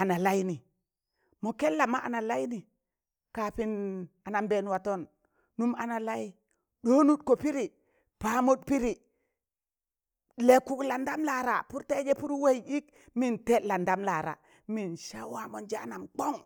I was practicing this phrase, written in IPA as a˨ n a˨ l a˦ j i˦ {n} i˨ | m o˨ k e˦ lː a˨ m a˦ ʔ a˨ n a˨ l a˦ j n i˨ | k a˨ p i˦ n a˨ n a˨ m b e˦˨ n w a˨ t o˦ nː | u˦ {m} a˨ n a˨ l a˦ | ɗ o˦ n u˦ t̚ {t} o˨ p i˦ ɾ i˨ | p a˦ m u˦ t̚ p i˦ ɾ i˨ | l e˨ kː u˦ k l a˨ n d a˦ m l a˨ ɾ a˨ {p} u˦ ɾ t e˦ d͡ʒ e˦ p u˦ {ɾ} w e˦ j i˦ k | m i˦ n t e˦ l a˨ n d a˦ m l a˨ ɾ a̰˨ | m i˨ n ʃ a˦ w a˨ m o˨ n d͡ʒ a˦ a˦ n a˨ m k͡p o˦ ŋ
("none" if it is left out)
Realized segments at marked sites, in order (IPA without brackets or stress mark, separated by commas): n, m, k, p, ɾ